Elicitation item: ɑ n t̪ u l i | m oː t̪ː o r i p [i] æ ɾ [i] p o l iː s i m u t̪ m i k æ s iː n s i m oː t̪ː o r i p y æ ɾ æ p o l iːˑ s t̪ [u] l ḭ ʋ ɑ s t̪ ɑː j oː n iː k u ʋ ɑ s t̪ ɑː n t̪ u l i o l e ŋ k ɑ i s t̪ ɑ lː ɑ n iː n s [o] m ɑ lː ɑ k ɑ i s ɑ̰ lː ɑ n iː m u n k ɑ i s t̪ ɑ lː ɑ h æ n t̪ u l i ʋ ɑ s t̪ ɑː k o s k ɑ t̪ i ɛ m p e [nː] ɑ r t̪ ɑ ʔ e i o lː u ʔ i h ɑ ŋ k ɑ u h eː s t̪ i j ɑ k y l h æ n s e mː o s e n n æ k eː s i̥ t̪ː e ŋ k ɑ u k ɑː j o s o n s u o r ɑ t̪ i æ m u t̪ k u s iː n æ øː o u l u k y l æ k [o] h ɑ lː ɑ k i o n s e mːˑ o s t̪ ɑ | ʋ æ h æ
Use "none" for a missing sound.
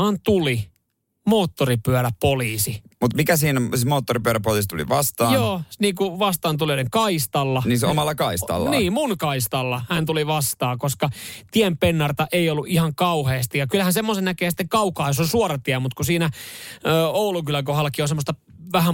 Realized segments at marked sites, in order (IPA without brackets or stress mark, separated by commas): y, æ, u, o, nː, o